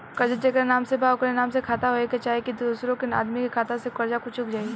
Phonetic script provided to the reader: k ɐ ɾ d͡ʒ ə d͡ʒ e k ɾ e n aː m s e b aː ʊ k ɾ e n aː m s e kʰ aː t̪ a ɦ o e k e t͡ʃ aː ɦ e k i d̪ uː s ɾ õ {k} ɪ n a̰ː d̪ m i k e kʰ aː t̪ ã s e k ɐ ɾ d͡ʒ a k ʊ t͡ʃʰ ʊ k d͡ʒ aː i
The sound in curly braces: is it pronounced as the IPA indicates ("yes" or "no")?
yes